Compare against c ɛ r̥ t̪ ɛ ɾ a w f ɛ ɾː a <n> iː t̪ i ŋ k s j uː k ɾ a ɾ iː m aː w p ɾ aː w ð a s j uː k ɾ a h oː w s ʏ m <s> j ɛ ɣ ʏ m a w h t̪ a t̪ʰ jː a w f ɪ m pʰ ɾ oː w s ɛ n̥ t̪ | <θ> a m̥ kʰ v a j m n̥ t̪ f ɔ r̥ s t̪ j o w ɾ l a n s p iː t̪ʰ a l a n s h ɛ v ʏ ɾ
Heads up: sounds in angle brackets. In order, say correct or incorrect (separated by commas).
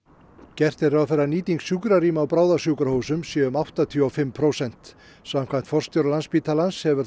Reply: correct, correct, incorrect